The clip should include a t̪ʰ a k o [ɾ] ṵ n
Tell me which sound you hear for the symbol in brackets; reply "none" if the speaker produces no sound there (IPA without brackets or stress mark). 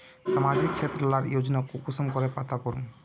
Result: ɾ